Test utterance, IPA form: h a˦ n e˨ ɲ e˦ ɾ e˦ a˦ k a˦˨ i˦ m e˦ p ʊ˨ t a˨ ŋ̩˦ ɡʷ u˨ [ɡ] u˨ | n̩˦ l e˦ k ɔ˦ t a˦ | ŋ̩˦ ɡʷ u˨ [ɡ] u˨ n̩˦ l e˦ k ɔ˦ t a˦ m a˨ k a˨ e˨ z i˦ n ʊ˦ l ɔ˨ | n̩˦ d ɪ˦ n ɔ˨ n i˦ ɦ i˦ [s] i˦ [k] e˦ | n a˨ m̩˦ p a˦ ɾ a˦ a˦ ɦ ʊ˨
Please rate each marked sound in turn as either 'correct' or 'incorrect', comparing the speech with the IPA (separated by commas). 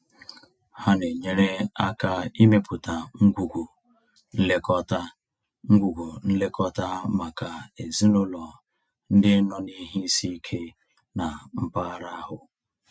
correct, correct, correct, incorrect